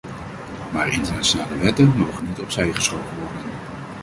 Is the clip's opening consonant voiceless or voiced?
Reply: voiced